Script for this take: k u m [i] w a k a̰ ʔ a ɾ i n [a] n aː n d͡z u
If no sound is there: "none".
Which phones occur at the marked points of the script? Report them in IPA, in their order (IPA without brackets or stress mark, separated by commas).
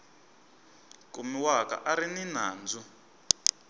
i, i